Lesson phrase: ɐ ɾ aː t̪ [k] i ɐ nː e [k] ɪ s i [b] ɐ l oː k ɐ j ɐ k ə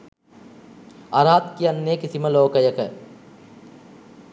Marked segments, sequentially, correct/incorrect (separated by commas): correct, correct, incorrect